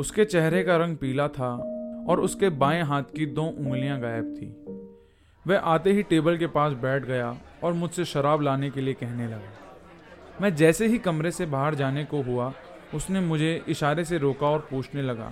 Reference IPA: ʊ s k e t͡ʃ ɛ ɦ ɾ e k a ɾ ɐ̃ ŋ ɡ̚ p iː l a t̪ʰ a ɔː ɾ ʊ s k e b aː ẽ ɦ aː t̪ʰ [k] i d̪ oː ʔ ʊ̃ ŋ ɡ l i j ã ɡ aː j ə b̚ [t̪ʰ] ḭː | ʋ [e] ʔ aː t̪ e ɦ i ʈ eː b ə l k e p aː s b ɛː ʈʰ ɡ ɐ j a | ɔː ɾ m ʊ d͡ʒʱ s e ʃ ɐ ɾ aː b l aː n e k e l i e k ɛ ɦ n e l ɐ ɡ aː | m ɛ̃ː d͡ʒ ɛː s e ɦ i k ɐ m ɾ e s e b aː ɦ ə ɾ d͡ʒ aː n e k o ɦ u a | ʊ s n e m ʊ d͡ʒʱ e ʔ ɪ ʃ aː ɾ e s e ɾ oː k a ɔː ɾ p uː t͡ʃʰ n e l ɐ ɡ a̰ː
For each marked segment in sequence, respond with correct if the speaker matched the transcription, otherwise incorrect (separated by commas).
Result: correct, correct, incorrect